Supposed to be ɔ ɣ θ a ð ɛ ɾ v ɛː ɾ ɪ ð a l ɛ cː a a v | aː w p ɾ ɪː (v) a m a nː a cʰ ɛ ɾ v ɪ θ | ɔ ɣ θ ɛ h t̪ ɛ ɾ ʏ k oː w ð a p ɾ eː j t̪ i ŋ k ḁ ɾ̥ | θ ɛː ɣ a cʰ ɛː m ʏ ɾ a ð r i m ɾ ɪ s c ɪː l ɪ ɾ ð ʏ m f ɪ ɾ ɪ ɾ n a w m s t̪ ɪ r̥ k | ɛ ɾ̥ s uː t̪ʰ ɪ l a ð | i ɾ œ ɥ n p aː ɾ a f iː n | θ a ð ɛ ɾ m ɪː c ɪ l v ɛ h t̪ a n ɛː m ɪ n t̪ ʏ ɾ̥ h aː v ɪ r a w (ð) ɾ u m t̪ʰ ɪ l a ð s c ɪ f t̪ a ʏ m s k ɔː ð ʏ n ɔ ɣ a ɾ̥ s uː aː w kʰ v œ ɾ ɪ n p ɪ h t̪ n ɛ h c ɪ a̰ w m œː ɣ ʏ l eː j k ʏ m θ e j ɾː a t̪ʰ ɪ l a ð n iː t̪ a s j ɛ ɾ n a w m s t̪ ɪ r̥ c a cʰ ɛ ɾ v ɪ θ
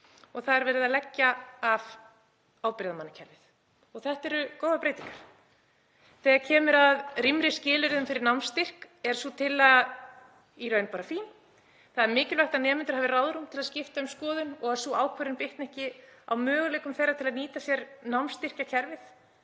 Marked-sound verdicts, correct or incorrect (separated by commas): incorrect, correct